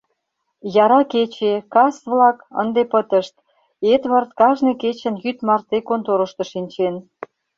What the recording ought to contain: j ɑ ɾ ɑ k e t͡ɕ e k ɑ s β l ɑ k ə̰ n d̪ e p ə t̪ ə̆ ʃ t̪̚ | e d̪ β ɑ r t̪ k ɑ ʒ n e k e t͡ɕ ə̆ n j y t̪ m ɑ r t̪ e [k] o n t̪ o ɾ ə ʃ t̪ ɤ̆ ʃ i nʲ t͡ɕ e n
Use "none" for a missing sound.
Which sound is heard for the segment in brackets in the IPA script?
k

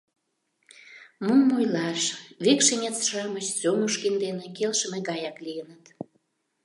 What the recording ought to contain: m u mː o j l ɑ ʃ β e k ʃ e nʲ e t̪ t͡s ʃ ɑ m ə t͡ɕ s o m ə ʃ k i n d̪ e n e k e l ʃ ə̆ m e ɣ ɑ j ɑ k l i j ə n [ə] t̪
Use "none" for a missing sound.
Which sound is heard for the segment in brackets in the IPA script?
ə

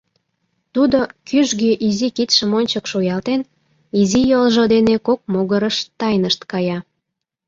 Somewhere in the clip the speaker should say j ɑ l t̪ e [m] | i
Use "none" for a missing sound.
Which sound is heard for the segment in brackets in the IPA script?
n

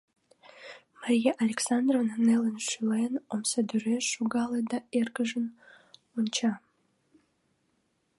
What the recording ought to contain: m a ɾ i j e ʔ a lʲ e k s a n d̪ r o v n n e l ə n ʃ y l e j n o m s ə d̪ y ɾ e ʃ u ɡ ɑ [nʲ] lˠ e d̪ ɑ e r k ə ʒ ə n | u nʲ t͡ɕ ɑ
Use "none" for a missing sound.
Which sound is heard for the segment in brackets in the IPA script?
none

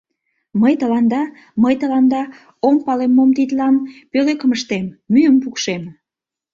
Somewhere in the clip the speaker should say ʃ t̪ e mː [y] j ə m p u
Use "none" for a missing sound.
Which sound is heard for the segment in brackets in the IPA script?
y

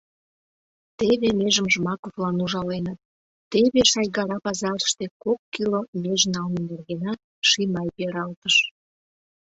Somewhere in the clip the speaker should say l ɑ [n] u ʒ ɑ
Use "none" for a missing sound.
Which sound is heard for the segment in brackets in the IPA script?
n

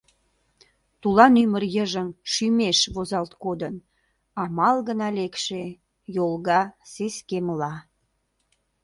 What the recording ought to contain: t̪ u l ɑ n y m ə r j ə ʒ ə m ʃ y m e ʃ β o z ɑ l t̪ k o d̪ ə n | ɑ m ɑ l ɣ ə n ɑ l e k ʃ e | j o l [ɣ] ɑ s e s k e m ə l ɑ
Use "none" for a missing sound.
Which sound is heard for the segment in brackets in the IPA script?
ɣ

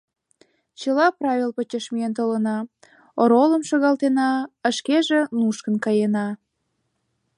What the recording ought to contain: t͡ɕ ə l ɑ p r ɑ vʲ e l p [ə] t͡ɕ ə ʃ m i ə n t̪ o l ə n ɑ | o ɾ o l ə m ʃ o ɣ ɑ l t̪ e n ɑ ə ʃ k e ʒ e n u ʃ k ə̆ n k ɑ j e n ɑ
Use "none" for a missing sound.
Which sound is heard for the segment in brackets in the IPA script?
ə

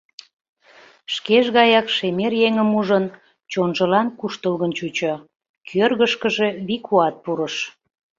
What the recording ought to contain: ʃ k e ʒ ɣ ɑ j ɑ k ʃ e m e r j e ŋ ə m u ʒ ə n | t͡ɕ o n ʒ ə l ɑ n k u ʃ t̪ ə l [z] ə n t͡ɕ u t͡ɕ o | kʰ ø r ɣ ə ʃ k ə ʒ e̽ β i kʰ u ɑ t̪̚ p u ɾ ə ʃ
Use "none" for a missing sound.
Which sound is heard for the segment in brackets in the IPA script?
ɣ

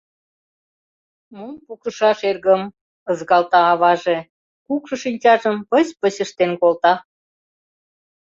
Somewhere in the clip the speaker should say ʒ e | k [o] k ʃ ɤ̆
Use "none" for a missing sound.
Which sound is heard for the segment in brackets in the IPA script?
u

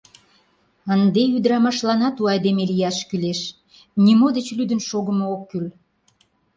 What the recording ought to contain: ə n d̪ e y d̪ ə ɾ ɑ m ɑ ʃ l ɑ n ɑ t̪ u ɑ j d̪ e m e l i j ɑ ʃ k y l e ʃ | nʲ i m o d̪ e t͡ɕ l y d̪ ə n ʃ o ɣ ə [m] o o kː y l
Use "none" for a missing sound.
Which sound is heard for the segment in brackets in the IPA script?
m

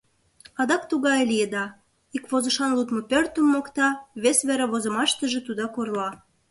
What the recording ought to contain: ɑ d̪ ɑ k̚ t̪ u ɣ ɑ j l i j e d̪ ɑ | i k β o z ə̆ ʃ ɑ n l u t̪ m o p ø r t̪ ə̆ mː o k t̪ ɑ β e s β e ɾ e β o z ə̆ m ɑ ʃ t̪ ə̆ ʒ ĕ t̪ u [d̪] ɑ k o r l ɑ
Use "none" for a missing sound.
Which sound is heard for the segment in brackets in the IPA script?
d̪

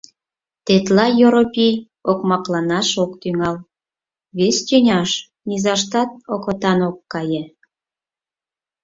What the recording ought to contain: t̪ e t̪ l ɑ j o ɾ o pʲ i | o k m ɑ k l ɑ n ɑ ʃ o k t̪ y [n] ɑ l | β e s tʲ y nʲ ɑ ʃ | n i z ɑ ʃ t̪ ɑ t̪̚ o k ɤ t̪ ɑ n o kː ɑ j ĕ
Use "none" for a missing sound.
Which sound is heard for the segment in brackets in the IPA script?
ŋ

